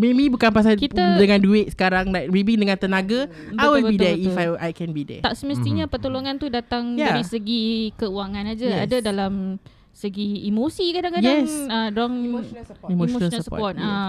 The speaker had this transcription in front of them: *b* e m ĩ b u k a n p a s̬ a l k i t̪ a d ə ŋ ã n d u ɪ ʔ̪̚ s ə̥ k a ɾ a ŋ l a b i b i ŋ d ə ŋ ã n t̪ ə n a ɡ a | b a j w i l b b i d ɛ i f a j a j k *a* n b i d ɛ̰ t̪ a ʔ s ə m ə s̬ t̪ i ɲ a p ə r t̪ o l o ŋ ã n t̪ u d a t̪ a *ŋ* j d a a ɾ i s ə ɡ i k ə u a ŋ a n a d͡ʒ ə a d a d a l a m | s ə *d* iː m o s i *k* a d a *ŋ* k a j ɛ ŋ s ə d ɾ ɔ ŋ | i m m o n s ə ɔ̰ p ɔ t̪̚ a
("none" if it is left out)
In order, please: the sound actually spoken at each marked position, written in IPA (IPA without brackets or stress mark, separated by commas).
m, ɛ, ŋ, ɡ, k, ŋ